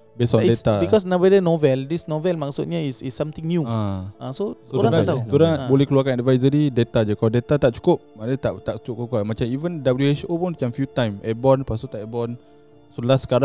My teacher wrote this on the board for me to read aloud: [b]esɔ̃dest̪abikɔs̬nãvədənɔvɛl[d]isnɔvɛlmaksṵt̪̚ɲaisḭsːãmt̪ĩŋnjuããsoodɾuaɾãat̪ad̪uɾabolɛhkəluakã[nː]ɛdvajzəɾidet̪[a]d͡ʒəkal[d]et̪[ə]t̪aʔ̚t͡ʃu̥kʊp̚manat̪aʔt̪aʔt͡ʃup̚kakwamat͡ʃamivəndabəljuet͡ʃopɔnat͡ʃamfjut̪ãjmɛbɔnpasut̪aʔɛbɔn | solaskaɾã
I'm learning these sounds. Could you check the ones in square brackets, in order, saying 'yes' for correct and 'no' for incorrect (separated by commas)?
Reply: yes, yes, no, yes, yes, no